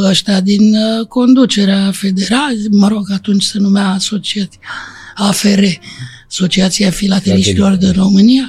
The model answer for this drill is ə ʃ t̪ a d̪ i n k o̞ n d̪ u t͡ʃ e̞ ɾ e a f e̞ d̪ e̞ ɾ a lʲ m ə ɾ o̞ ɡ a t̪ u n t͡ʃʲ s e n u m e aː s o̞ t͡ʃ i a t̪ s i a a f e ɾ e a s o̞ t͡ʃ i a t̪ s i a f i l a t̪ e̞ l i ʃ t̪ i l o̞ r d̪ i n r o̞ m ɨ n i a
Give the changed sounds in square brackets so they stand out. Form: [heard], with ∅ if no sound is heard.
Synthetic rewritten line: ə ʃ t̪ a d̪ i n k o̞ n d̪ u t͡ʃ e̞ ɾ e a f e̞ d̪ e̞ ɾ a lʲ m ə ɾ o̞ ɡ a t̪ u n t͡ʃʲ s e n u m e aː s o̞ t͡ʃ i a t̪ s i a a f e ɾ e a s o̞ t͡ʃ i a t̪ s i a f i l a t̪ e̞ l i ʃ t̪ i l o̞ r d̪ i n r o̞ m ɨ n i a